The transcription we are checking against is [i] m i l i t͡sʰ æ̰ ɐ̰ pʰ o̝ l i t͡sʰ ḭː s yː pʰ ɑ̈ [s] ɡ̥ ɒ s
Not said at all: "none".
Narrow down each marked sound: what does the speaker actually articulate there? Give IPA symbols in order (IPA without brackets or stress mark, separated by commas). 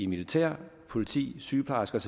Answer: i, s